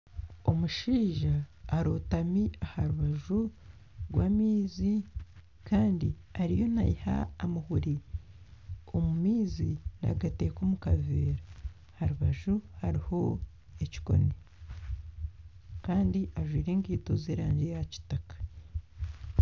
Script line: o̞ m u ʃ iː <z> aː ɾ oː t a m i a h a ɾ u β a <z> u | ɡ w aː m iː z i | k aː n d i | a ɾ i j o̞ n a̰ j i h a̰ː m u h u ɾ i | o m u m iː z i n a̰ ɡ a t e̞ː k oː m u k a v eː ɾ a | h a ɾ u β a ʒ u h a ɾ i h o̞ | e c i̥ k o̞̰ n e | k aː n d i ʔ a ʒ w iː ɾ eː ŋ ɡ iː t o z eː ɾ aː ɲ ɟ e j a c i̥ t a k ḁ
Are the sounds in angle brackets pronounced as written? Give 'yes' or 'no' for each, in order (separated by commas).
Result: no, no